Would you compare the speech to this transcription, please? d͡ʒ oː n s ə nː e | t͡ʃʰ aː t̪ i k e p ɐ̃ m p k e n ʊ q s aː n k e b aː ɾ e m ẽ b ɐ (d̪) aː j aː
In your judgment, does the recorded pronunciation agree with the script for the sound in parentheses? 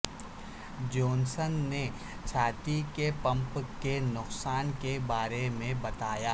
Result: no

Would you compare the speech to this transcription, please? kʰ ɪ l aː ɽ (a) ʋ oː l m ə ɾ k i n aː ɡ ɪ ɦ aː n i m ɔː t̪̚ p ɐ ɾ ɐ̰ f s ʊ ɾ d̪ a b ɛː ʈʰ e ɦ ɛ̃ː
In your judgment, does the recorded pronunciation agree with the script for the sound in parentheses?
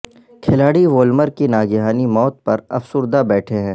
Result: no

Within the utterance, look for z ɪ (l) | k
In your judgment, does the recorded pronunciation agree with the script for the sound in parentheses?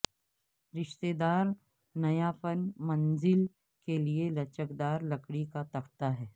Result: yes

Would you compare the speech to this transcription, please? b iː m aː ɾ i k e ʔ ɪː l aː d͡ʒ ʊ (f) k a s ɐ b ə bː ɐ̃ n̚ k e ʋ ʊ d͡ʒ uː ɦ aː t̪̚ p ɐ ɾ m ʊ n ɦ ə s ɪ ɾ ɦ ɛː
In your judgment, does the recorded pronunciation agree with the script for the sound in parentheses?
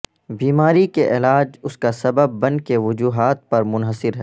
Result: no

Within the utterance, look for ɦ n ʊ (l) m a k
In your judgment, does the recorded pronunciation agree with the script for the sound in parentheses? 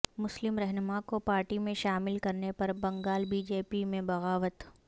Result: no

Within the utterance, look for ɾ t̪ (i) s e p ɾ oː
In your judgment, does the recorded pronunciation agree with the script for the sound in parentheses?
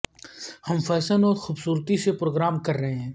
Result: yes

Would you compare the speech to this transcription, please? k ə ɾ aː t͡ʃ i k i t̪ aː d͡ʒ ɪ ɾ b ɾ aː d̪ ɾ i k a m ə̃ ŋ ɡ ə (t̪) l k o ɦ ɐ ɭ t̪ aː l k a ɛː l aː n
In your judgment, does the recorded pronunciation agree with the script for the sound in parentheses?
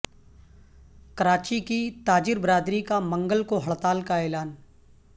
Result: no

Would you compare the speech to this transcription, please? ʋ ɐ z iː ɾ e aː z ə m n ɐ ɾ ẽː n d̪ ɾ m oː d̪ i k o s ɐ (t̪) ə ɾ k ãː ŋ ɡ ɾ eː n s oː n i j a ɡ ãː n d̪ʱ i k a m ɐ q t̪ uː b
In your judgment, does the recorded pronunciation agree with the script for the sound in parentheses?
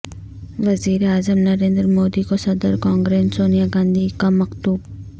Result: no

